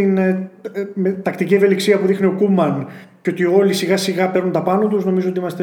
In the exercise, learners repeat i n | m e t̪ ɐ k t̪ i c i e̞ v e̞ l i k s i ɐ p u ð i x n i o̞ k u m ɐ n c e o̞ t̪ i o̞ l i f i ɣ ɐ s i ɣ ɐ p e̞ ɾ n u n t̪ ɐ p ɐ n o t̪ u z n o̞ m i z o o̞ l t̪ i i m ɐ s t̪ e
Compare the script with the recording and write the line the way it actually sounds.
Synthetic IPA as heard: i n | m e t̪ ɐ k t̪ i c i e̞ v e̞ l i k s i ɐ p u ð i x n i o̞ k u m ɐ n c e o̞ t̪ i o̞ l i s i ɣ ɐ s i ɣ ɐ p e̞ ɾ n u n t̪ ɐ p ɐ n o t̪ u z n o̞ m i z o o̞ t̪ i i m ɐ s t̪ e